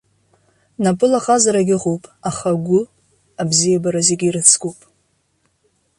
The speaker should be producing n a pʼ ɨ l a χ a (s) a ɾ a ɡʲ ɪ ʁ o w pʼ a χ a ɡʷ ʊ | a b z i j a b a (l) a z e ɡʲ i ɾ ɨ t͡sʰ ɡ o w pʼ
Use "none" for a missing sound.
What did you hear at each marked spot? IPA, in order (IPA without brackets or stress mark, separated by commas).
z, ɾ